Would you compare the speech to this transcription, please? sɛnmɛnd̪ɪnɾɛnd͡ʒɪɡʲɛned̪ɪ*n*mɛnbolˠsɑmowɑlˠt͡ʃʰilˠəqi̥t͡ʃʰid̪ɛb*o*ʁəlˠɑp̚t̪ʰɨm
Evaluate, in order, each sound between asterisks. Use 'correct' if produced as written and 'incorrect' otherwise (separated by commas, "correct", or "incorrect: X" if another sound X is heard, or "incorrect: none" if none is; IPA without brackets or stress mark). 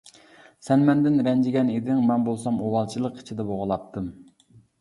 incorrect: ŋ, correct